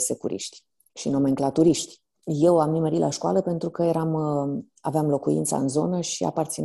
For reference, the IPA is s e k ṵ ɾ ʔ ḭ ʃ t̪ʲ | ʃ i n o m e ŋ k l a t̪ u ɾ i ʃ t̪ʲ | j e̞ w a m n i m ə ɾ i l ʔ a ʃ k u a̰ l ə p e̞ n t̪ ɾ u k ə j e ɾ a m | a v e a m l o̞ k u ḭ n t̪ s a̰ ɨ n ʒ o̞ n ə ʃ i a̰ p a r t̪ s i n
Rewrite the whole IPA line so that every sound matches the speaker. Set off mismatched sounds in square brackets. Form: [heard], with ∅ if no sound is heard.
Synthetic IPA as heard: s e k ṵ ɾ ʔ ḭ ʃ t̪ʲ | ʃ i n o m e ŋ k l a t̪ u ɾ i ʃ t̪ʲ | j e̞ w a m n i m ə ɾ i l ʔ a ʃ k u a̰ l ə p e̞ n t̪ ɾ u k ə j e ɾ a m | a v e a m l o̞ k u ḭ n t̪ s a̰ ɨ n [z] o̞ n ə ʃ i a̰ p a r t̪ s i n